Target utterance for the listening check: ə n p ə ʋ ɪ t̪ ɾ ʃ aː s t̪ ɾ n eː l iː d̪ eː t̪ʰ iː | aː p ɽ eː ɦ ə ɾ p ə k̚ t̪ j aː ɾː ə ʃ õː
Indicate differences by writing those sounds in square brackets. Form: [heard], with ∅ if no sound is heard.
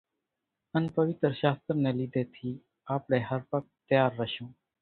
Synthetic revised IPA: ə n p ə ʋ ɪ t̪ ɾ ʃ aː s t̪ ɾ n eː l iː d̪ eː t̪ʰ iː | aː p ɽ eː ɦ ə ɾ p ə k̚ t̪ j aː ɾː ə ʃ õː